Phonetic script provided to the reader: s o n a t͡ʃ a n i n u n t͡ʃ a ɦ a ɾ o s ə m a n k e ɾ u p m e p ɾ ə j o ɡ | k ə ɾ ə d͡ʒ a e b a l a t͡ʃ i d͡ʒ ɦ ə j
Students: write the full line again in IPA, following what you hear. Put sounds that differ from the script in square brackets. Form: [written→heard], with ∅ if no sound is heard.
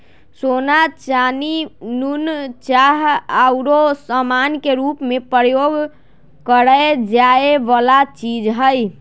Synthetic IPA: s o n a t͡ʃ a n i n u n t͡ʃ a ɦ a ɾ o s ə m a n k e ɾ u p m e p ɾ ə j o ɡ | k ə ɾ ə d͡ʒ a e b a l a t͡ʃ i d͡ʒ ɦ ə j